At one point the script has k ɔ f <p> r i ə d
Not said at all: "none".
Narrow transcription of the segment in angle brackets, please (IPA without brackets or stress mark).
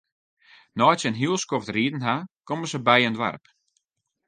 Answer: t